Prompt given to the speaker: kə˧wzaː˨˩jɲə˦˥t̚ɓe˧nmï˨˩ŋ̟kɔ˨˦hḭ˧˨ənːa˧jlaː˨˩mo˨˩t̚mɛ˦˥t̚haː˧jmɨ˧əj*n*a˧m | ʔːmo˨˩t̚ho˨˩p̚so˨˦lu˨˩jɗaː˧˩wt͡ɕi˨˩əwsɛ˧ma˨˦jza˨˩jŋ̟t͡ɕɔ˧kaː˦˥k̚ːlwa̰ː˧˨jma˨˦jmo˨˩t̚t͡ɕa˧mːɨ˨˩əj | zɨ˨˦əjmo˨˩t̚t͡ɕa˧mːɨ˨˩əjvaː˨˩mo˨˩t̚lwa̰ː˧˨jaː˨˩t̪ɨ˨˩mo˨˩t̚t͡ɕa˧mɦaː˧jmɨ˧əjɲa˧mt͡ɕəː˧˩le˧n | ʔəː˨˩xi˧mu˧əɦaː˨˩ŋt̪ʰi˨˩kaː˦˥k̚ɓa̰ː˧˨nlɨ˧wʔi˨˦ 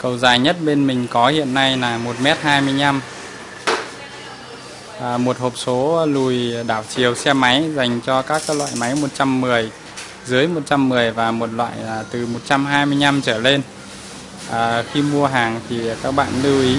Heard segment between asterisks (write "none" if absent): ɲ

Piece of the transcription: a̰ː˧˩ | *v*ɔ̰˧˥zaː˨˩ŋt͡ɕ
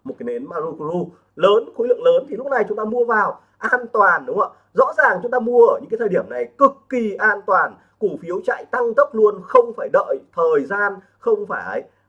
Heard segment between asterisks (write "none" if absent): z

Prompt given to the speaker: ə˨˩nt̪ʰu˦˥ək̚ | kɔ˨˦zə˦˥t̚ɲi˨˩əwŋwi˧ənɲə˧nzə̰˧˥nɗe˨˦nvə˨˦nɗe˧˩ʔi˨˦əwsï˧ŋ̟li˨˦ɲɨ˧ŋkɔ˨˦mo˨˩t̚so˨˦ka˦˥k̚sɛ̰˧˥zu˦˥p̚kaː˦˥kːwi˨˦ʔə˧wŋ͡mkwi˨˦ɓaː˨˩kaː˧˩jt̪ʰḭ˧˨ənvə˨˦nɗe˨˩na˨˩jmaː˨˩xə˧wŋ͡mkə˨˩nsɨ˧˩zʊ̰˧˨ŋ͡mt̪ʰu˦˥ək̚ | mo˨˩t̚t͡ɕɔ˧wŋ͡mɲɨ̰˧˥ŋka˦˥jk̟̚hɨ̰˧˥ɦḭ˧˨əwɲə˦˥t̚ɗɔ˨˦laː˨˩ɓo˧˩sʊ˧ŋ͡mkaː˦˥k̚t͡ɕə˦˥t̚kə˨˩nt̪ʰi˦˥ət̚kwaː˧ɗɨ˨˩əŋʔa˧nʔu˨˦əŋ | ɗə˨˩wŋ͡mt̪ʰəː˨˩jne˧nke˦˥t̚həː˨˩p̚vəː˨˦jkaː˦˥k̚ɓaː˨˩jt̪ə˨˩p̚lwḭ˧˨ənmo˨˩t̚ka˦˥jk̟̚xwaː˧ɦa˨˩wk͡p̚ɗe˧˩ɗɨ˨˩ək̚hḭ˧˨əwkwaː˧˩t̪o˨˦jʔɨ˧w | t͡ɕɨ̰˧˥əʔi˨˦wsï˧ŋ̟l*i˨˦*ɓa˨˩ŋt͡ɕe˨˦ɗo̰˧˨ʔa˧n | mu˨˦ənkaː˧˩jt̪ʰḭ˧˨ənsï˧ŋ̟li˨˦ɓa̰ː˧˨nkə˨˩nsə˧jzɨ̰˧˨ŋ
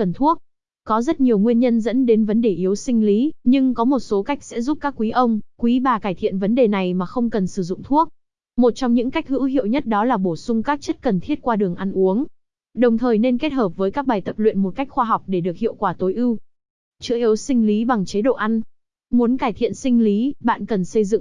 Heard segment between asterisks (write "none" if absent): i˨˦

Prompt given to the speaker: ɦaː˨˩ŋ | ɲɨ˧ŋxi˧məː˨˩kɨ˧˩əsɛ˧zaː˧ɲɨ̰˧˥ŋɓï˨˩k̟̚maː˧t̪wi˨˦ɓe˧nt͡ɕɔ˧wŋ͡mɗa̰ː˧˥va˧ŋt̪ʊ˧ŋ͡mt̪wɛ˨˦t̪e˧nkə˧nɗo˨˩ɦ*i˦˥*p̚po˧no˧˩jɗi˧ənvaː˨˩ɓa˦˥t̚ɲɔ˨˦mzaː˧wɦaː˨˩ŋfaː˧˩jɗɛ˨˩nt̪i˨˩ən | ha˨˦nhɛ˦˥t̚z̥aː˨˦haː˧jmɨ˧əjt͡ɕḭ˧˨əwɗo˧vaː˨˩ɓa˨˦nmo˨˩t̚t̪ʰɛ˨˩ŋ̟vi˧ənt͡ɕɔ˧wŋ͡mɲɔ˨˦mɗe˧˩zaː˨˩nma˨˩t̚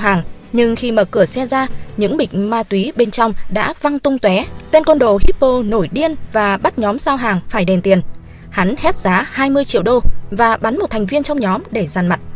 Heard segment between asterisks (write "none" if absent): i˦˥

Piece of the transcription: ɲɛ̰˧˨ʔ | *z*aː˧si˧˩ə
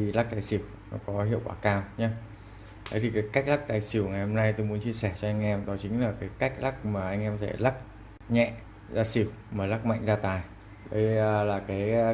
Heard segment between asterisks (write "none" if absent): z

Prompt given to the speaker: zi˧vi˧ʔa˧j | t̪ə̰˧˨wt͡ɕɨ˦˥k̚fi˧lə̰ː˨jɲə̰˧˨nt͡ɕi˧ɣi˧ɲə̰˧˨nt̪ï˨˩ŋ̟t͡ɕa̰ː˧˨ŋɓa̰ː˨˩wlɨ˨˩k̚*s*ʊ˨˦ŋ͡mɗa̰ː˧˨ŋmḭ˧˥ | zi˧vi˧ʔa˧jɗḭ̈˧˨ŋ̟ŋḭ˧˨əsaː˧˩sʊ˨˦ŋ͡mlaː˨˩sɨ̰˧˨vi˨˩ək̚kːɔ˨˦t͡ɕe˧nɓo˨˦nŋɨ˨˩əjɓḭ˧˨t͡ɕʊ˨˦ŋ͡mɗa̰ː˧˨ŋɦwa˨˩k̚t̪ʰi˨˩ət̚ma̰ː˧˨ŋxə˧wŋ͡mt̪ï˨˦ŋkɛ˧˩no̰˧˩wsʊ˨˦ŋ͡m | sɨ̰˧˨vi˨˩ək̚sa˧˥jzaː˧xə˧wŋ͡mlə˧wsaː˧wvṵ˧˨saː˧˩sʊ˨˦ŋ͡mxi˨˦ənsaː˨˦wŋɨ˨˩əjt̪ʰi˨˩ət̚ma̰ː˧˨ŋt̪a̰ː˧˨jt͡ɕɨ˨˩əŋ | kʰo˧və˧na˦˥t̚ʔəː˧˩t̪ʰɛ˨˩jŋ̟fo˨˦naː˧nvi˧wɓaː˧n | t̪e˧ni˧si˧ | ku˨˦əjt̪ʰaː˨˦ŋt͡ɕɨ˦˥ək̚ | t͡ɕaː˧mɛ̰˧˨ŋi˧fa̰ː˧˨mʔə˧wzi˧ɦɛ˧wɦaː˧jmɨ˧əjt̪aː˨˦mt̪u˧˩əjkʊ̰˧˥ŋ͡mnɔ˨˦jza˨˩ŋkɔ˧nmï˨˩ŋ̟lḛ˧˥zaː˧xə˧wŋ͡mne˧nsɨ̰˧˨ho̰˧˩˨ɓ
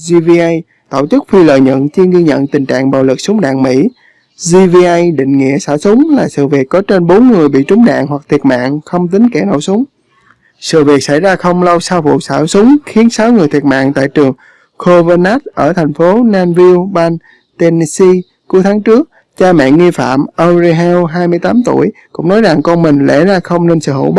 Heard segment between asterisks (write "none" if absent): s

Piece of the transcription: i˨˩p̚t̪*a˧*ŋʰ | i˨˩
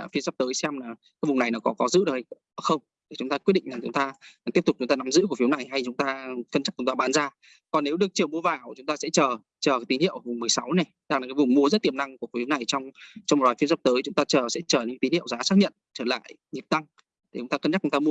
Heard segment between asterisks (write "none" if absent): a˧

